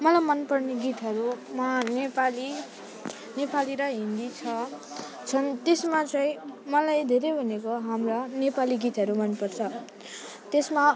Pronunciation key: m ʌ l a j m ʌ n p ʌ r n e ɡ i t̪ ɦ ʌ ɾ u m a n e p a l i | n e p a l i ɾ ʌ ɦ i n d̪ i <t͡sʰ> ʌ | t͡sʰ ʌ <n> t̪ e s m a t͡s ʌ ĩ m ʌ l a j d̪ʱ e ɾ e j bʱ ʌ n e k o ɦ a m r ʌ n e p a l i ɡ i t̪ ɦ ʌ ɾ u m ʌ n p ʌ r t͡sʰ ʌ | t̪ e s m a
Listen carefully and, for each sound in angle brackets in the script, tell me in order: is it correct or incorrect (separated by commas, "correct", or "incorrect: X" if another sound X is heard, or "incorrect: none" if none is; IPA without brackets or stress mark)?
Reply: correct, correct